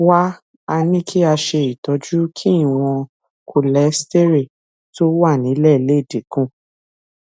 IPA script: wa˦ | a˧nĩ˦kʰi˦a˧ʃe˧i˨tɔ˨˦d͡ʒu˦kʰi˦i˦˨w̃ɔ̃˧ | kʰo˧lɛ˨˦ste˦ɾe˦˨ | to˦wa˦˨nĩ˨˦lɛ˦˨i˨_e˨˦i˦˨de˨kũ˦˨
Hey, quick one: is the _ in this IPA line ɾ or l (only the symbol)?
l